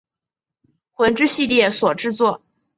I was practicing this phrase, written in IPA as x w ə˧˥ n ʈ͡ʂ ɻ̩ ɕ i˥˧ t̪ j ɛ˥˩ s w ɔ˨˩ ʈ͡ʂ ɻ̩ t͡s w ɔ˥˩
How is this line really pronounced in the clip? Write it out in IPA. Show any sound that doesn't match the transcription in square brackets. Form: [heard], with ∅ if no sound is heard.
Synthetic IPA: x w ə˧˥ n ʈ͡ʂ ɻ̩ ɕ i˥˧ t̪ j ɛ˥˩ s w ɔ˨˩ ʈ͡ʂ ɻ̩ t͡s w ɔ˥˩